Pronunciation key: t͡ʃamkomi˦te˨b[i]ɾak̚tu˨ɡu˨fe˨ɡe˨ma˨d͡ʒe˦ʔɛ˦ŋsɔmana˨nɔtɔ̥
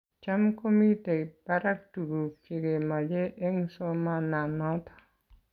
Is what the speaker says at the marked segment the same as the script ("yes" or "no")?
no